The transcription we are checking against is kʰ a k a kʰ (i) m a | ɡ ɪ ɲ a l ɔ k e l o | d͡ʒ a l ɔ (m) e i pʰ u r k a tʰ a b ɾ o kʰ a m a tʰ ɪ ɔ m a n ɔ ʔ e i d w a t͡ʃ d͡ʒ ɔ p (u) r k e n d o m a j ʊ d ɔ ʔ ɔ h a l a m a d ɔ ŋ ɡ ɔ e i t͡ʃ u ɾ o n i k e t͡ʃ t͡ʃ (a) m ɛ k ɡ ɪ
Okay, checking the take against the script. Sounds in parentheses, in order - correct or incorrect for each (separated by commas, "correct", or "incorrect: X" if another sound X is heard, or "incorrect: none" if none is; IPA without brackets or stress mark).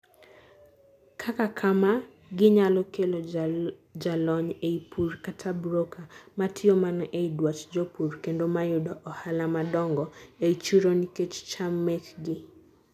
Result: incorrect: a, incorrect: ɲ, correct, correct